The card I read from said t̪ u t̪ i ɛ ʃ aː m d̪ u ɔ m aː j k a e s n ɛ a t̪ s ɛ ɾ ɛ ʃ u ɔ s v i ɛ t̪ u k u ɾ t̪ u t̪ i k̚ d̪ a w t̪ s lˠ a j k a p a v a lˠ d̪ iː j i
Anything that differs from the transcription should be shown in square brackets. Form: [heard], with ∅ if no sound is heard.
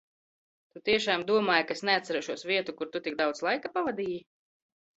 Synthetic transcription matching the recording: t̪ u t̪ i ɛ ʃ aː m d̪ u ɔ m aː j k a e s n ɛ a t̪ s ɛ ɾ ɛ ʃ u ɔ s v i ɛ t̪ u k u ɾ t̪ u t̪ i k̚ d̪ a w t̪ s lˠ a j k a p a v a [∅] d̪ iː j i